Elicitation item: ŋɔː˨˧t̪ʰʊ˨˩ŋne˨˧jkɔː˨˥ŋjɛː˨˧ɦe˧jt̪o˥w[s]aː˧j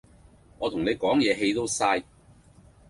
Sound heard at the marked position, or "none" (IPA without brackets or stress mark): s